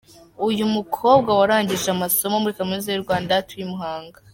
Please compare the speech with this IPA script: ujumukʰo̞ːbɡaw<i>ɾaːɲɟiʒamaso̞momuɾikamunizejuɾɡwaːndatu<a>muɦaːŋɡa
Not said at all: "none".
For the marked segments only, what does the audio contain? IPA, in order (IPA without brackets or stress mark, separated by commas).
a, i